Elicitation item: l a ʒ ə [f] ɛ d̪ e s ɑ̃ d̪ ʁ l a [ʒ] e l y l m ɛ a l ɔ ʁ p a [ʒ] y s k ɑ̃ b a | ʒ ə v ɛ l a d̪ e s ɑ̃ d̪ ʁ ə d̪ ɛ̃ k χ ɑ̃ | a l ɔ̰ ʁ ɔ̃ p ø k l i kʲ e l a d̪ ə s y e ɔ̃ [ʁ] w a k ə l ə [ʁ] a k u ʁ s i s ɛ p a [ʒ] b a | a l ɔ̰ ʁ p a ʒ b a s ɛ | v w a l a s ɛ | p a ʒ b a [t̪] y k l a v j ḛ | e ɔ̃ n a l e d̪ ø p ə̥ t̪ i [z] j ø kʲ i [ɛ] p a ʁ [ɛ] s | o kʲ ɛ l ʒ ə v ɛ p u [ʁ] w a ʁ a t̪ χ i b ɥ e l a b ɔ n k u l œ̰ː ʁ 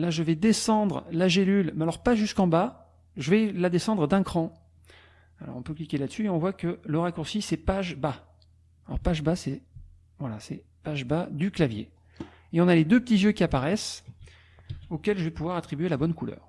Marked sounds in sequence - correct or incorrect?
incorrect, correct, correct, incorrect, correct, correct, incorrect, correct, incorrect, correct, incorrect

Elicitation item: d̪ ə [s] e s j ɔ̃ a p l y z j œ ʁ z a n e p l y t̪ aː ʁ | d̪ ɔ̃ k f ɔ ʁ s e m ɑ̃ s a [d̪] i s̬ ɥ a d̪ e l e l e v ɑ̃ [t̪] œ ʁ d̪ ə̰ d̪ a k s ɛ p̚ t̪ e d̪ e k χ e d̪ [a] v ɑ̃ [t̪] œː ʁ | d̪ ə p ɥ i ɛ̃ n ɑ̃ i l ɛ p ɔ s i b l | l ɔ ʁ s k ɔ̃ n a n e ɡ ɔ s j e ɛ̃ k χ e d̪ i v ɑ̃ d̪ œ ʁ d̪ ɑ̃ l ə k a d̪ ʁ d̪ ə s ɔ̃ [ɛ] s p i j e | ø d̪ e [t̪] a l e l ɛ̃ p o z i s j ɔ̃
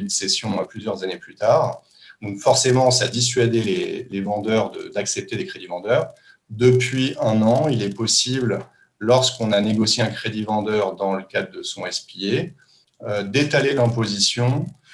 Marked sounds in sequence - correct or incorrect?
correct, correct, incorrect, incorrect, incorrect, correct, correct

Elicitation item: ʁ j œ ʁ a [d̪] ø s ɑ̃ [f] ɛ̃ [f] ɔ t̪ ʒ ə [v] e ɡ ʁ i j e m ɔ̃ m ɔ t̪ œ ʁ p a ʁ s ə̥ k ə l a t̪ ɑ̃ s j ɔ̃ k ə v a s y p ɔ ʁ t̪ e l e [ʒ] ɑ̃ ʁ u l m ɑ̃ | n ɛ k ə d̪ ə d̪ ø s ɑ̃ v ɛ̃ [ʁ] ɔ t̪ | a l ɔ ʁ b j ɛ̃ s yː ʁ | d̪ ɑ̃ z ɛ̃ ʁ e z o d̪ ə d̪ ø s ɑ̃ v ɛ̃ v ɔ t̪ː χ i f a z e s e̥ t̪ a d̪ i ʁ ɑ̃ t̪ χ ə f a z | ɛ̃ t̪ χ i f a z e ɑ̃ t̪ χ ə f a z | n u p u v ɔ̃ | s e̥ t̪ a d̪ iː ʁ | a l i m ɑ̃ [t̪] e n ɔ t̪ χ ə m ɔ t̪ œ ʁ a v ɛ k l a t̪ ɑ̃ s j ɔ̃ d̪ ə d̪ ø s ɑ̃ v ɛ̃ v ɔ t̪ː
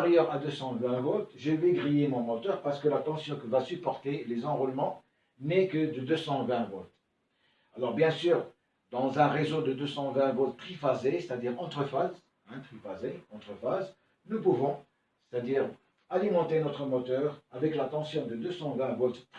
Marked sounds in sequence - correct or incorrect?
correct, incorrect, incorrect, correct, incorrect, incorrect, correct

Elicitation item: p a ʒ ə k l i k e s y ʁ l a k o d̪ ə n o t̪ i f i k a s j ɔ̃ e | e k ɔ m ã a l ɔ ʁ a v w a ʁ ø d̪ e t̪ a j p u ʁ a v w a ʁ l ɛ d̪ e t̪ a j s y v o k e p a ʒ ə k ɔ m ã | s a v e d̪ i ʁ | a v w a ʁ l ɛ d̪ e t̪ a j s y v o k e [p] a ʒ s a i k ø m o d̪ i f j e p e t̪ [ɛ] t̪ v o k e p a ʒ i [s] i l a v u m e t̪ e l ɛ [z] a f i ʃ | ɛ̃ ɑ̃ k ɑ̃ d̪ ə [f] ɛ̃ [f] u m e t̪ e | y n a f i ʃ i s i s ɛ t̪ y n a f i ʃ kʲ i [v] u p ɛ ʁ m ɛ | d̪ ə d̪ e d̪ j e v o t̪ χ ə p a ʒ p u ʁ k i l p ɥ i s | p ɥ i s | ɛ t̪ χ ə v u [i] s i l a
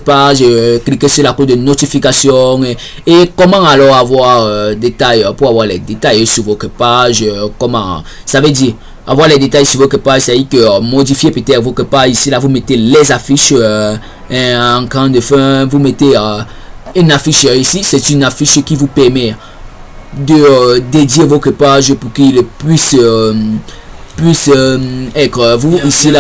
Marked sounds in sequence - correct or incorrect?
correct, correct, correct, correct, correct, incorrect, correct, correct

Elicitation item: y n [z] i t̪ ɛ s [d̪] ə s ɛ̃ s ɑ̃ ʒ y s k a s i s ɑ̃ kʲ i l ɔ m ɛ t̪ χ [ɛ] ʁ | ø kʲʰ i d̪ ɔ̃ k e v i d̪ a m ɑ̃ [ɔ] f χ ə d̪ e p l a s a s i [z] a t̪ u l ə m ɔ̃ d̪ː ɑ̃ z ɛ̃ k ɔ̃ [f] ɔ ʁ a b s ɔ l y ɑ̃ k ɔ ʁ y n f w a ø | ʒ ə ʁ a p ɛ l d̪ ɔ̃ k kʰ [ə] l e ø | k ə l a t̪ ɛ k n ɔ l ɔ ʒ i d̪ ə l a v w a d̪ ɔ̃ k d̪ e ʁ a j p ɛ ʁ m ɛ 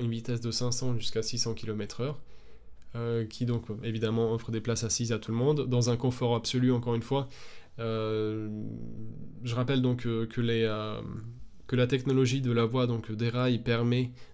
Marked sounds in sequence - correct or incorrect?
incorrect, correct, incorrect, correct, correct, correct, correct

